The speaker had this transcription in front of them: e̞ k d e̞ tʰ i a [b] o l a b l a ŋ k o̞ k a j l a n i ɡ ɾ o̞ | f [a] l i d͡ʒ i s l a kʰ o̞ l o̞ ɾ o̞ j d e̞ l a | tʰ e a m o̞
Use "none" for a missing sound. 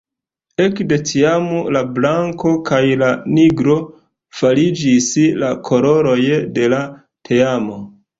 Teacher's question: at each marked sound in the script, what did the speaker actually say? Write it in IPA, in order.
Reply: m, a

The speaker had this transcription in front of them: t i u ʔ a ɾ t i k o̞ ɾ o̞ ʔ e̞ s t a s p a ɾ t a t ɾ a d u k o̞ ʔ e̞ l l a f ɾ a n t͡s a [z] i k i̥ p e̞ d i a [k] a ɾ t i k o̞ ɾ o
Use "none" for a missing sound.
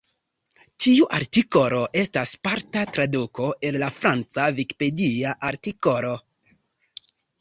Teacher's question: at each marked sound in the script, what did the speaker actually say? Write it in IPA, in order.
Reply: v, ʔ

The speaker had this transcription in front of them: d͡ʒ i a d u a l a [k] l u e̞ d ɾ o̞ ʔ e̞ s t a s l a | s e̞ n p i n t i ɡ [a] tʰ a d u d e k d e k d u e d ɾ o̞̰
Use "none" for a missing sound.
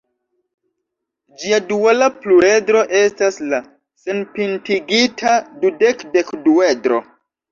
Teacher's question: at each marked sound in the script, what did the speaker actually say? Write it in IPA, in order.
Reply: p, i

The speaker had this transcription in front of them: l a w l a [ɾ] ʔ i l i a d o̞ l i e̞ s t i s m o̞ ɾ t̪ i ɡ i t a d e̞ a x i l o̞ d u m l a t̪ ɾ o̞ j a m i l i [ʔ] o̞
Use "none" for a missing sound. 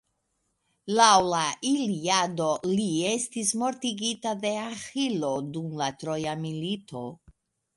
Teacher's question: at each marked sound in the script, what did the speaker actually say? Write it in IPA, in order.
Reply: none, t

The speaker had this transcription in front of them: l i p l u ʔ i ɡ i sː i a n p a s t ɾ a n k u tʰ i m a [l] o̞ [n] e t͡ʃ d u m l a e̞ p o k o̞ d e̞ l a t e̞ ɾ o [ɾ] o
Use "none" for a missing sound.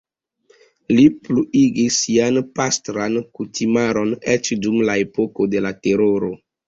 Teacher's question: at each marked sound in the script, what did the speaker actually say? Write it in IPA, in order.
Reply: ɾ, n, ɾ

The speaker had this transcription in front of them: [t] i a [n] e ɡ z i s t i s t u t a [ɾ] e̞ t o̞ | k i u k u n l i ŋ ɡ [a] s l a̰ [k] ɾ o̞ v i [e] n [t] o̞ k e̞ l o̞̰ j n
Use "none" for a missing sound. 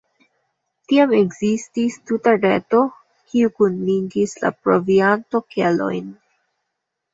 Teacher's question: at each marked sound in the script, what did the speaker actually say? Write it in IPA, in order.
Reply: t, m, ɾ, i, p, a, t

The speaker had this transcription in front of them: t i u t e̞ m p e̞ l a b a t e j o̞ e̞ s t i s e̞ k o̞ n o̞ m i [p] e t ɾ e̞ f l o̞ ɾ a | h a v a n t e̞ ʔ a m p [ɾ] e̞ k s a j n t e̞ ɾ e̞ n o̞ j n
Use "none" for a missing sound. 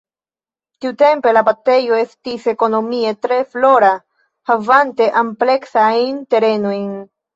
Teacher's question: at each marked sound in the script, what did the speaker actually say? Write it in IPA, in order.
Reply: none, l

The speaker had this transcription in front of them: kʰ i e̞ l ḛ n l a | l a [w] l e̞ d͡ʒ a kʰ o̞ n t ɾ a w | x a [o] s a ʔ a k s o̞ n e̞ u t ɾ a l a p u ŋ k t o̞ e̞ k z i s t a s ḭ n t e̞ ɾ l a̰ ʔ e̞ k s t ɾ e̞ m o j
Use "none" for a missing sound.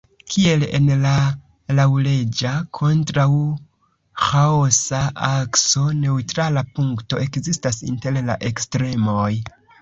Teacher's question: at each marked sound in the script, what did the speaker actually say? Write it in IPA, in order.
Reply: w, o

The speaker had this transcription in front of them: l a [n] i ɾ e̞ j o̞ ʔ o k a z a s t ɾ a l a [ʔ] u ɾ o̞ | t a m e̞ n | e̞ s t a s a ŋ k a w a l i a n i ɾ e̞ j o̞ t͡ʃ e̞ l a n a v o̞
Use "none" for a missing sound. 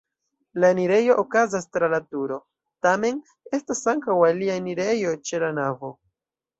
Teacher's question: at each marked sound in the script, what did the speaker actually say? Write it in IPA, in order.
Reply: n, t

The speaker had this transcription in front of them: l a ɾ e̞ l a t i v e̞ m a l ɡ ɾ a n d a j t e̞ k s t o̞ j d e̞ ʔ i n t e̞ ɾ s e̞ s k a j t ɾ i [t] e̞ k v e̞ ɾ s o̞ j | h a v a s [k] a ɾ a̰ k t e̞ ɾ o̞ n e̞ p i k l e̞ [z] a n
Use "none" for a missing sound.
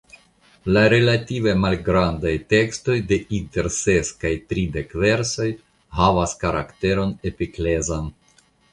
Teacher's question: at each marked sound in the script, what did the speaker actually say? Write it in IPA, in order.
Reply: d, k, z

